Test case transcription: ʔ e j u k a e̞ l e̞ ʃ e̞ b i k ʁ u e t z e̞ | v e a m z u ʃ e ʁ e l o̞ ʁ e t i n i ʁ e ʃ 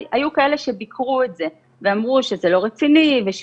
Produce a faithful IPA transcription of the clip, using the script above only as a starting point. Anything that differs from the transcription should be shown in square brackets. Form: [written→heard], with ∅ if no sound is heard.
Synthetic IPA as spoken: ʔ [e→a] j u k a e̞ l e̞ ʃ e̞ b i k ʁ u e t z e̞ | v e a m [z→ʁ] u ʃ e [ʁ→z] e l o̞ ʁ e [t→t͡s] i n i [ʁ→v] e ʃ

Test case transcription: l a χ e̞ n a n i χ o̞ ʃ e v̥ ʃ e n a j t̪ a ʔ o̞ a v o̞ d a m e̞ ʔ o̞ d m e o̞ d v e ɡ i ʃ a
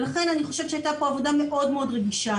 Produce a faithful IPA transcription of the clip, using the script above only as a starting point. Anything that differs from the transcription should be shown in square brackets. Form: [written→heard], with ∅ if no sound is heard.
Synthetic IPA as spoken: l a χ e̞ n a n i χ o̞ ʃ e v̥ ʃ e [n→∅] a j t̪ a [ʔ→p] o̞ a v o̞ d a m e̞ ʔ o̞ d m e o̞ d [v→ʁ] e ɡ i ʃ a

